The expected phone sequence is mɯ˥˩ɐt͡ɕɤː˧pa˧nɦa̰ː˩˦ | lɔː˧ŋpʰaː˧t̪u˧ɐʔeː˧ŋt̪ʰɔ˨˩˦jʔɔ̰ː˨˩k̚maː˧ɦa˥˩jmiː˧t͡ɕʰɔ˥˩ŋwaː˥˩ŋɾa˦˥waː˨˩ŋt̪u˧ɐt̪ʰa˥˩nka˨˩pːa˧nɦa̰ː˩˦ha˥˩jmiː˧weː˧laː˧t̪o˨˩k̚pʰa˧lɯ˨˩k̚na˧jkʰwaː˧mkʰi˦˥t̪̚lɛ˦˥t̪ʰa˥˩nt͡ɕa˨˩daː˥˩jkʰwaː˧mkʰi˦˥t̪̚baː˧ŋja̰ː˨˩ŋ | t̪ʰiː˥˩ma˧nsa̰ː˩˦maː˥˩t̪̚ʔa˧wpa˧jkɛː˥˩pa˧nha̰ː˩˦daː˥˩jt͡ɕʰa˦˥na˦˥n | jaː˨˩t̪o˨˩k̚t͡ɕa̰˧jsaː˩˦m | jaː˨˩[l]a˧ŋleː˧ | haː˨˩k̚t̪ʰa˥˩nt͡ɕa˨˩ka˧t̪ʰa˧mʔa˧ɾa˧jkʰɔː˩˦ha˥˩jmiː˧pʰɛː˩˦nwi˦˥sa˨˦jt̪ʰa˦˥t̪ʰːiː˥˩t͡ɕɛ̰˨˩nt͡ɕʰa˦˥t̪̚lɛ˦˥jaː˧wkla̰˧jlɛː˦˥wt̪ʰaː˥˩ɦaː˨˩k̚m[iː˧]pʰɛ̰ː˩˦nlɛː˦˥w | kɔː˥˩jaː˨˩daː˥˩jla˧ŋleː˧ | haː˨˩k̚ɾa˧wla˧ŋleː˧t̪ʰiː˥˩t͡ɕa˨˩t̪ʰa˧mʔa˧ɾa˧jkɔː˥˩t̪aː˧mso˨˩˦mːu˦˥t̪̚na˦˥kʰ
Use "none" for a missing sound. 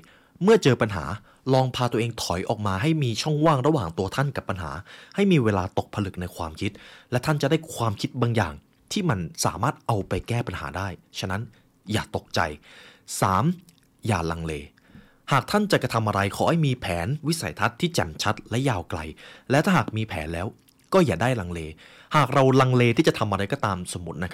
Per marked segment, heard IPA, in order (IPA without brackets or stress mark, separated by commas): l, iː˧